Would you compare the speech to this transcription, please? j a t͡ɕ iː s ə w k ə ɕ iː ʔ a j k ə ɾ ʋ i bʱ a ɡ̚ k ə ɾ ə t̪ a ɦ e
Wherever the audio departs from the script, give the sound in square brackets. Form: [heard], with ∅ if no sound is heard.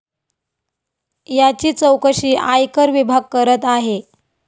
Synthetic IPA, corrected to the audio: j a t͡ɕ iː [t͡s] ə w k ə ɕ iː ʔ a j k ə ɾ ʋ i bʱ a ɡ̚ k ə ɾ ə t̪ a ɦ e